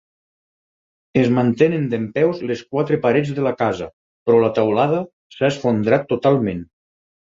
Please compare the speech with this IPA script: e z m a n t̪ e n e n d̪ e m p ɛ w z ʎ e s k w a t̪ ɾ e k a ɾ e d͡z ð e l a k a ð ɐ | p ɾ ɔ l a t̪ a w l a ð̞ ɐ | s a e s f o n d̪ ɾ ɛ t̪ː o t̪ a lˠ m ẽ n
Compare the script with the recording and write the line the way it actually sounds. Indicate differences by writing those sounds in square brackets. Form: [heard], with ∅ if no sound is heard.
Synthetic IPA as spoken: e z m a n t̪ e n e n d̪ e m p ɛ w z [l] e s k w a t̪ ɾ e [p] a ɾ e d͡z ð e l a k a [z] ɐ | p ɾ ɔ l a t̪ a w l a ð̞ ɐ | s a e s f o n d̪ ɾ [a] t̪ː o t̪ a lˠ m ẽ n